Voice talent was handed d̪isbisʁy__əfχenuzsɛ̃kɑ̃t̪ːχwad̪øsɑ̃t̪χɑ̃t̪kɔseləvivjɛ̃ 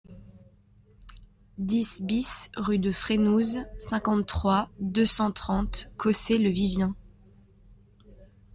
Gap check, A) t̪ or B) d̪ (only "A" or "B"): B